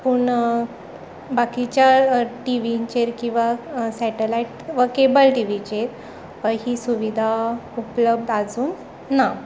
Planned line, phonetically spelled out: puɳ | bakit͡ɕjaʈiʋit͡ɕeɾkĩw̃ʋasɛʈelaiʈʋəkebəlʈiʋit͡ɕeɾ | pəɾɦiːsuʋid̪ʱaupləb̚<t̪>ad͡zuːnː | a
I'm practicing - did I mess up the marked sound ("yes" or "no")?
yes